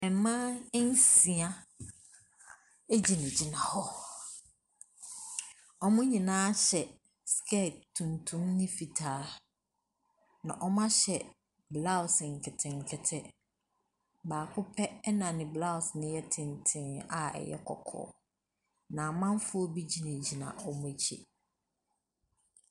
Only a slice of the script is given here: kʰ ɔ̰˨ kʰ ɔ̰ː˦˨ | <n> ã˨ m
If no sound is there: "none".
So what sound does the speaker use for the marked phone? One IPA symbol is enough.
n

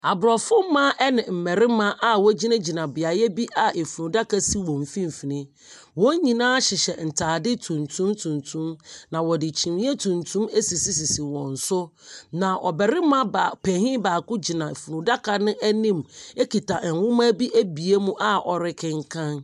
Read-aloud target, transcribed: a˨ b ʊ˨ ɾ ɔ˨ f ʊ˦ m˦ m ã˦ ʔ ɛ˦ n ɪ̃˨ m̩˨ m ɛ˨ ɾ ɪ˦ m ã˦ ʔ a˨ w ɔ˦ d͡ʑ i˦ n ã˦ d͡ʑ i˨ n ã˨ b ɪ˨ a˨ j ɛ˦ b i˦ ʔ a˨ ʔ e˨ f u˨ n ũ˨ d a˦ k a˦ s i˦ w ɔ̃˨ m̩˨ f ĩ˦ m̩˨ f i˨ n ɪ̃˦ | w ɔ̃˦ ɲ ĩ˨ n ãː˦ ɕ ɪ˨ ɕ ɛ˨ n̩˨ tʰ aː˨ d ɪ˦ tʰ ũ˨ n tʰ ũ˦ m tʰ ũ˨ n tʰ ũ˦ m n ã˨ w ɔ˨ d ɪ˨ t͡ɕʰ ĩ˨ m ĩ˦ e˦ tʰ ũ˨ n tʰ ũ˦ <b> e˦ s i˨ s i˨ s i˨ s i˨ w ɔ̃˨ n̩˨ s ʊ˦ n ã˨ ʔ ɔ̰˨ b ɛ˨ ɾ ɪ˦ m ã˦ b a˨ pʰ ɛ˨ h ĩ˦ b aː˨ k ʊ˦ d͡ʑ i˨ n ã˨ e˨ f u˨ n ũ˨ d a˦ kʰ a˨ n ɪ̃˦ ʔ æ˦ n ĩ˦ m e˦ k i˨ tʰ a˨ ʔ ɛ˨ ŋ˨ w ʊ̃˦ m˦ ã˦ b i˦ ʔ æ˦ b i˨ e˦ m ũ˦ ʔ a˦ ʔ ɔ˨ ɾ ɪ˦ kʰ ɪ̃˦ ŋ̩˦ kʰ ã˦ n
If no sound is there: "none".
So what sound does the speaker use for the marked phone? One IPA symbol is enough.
m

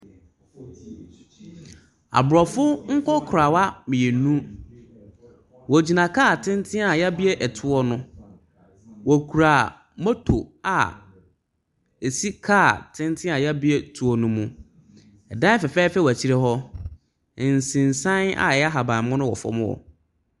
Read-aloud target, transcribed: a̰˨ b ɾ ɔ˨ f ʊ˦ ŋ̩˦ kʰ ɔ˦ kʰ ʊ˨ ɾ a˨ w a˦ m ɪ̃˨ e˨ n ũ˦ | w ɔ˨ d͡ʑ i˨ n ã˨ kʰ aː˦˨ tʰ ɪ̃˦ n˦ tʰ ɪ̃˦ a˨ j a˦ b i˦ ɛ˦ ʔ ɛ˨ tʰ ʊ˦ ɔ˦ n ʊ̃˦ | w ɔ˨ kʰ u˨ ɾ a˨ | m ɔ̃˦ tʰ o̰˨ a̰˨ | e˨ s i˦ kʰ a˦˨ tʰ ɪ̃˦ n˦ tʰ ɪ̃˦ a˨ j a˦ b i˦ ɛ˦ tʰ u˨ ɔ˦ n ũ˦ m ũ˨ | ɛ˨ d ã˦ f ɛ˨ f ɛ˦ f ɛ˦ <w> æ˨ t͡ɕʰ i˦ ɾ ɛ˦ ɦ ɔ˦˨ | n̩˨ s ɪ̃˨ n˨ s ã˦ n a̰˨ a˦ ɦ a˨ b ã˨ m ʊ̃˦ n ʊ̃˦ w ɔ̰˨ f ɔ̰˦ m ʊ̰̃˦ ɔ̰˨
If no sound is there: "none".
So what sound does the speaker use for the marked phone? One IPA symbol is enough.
w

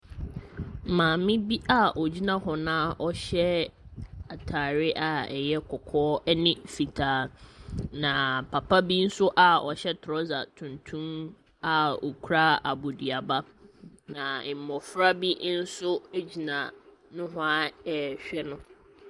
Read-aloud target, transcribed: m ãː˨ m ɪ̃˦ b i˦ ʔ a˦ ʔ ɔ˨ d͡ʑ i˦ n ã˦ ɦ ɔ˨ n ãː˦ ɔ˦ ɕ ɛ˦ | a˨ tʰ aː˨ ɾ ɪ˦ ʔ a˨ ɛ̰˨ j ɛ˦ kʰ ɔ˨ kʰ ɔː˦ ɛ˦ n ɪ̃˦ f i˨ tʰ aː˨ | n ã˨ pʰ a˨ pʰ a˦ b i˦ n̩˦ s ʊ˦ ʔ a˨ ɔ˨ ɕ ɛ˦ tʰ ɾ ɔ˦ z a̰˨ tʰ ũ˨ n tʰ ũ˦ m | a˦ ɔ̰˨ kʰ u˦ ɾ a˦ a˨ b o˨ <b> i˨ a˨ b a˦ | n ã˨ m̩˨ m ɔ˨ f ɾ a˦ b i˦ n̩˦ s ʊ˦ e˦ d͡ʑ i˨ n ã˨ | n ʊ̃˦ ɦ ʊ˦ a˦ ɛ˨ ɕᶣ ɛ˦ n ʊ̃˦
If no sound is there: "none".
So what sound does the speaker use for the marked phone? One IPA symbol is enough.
d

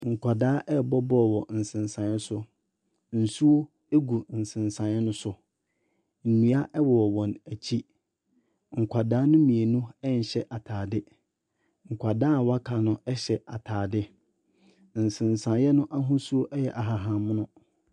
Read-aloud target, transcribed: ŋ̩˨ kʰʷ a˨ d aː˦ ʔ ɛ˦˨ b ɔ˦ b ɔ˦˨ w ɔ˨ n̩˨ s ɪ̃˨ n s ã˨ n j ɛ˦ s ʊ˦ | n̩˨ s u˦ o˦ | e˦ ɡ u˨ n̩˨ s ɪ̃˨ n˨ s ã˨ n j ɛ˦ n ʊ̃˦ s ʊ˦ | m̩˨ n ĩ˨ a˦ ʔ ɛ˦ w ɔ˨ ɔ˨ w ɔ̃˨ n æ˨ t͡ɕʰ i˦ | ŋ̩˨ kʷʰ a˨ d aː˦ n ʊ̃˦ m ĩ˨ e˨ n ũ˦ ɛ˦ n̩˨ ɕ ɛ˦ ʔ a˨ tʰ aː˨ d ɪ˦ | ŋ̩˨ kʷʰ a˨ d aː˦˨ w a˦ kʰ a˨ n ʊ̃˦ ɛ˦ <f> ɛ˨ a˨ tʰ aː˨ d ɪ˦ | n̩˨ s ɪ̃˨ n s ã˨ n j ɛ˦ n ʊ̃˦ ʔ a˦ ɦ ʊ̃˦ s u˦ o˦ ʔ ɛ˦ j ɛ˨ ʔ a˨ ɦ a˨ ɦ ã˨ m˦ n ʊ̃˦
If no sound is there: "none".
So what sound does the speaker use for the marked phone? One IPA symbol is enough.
ɕ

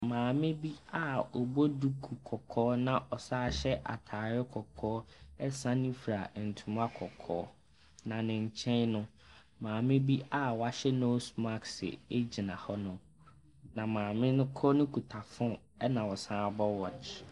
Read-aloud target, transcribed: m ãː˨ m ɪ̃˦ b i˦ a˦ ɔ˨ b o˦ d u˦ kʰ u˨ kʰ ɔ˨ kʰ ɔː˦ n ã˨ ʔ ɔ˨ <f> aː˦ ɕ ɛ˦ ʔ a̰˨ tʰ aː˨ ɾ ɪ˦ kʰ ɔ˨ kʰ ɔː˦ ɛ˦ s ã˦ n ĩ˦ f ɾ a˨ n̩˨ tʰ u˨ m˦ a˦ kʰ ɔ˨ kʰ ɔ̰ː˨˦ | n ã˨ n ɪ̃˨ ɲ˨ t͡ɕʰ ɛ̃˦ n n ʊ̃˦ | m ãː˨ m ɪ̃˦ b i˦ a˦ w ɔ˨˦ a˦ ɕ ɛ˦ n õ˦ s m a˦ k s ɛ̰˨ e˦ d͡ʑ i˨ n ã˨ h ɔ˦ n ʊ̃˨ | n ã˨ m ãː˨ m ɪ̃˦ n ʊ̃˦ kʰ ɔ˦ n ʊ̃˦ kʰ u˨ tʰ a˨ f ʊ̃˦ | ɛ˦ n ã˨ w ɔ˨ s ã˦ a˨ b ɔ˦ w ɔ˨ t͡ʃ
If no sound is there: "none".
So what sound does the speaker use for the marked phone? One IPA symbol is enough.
s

